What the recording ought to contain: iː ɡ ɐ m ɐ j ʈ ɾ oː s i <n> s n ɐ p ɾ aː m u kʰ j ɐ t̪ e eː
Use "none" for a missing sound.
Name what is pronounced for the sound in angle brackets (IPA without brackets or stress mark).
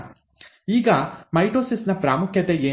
none